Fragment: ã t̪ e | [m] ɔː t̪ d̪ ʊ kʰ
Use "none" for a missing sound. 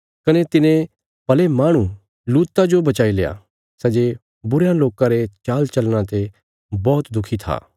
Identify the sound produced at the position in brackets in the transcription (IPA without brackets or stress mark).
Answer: b